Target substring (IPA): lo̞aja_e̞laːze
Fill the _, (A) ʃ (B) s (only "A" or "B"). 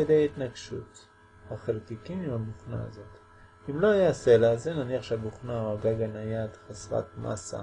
B